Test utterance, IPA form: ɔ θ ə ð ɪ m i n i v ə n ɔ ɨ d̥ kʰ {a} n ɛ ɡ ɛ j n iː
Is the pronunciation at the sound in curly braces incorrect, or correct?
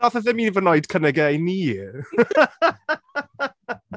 incorrect